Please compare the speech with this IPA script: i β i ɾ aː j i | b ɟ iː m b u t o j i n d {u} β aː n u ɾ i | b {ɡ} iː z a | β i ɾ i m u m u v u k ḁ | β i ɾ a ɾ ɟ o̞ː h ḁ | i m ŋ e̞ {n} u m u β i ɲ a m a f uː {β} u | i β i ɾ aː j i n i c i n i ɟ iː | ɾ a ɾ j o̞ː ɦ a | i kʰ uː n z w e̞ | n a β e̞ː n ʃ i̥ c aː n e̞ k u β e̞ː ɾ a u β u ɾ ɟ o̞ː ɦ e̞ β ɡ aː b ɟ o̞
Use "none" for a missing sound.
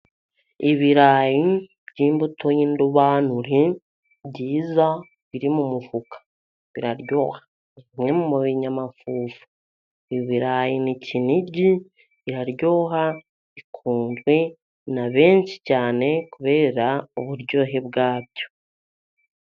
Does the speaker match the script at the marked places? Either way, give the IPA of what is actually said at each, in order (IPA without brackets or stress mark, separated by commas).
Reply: u, ɟ, m, v